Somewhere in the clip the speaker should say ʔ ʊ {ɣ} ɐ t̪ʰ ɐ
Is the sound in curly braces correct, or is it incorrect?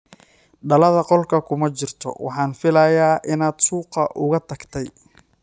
correct